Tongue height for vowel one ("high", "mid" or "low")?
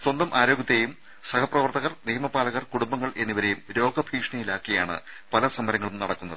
low